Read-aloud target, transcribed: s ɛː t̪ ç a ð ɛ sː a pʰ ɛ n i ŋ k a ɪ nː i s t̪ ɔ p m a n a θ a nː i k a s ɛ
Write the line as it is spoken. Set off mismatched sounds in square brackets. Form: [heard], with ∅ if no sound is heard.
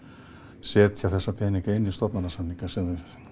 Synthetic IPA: s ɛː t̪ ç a [θ] ɛ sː a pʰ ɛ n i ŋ k a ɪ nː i s t̪ ɔ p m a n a [s] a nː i k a s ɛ